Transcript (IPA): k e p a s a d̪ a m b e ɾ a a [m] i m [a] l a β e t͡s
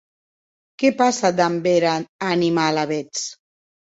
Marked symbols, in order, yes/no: no, yes

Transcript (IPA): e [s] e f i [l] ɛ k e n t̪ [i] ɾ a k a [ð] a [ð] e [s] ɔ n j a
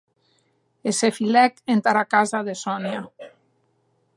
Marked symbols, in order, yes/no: yes, yes, no, no, yes, yes

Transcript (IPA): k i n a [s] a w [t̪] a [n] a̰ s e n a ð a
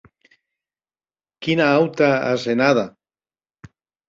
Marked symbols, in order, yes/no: no, yes, no

